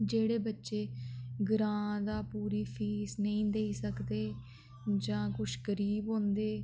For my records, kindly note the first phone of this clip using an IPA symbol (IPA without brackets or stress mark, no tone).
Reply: d͡ʒ